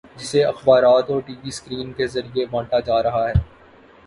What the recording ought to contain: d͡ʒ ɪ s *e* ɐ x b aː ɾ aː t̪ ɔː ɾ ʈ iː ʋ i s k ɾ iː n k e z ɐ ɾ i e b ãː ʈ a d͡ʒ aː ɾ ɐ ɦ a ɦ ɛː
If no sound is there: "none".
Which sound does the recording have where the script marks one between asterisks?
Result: e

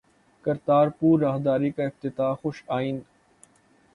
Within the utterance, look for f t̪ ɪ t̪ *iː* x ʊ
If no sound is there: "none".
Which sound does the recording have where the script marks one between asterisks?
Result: aː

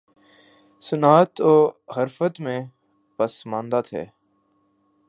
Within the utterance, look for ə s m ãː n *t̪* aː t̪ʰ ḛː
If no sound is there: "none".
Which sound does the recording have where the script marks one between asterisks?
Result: d̪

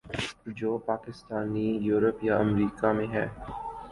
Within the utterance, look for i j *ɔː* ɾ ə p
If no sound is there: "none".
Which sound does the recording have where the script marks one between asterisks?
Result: uː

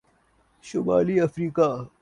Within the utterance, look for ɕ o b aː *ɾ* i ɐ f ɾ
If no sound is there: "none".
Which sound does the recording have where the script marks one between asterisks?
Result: l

